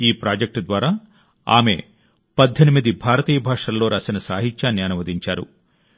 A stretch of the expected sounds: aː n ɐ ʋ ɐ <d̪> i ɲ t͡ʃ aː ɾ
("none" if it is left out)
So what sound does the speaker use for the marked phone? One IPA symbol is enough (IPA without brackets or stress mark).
d̪